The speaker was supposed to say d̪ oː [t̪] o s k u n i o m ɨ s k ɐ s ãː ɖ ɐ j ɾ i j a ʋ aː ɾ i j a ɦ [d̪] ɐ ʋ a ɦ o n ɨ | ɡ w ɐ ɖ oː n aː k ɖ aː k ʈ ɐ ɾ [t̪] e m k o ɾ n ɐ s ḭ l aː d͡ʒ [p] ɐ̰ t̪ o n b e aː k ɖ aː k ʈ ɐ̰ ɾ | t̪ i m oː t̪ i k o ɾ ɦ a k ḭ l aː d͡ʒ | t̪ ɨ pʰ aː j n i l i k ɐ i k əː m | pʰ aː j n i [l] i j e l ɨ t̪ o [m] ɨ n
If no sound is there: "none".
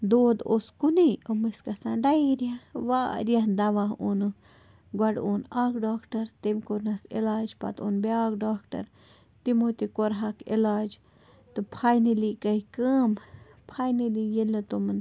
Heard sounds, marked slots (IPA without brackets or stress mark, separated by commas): d̪, d̪, t̪, p, l, m